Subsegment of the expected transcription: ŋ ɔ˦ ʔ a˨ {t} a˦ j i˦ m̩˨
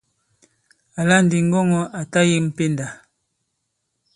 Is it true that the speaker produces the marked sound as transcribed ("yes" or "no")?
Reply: yes